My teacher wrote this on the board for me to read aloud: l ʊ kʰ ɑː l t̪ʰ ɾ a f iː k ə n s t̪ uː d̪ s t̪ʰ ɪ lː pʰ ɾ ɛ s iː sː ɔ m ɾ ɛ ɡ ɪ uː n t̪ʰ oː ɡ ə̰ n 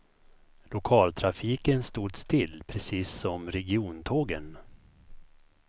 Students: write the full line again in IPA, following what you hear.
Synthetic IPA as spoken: l ʊ kʰ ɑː l t̪ʰ ɾ a f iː k ə n s t̪ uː d̪ s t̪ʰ ɪ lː pʰ ɾ ɛ s iː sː ɔ m ɾ ɛ ɡ ɪ uː n t̪ʰ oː ɡ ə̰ n